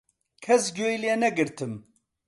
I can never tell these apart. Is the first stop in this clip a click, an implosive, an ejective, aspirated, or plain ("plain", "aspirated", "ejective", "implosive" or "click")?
aspirated